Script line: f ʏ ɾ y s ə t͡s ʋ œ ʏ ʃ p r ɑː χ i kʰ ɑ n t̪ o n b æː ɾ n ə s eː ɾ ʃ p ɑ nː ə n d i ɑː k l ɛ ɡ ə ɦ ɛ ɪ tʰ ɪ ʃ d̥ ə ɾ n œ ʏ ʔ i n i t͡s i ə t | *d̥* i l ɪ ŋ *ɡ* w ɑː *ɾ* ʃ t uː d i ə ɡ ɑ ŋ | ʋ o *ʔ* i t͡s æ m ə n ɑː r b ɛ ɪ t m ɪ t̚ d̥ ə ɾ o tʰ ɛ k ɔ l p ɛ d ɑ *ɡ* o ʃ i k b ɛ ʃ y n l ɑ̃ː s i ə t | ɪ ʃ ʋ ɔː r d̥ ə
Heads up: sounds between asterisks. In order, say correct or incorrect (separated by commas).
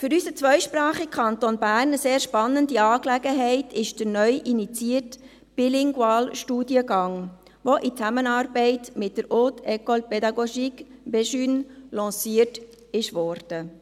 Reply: incorrect, correct, incorrect, correct, correct